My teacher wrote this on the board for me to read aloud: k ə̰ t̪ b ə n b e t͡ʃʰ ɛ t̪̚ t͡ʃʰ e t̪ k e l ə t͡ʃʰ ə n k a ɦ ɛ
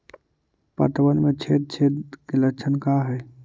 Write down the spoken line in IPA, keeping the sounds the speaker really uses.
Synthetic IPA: p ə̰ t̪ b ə n m e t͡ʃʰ e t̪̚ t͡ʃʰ e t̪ k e l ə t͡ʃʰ ə n k a ɦ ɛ